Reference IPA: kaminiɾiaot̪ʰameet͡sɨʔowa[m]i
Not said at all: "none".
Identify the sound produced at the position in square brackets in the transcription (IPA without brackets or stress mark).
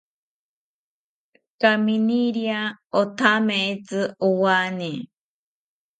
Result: n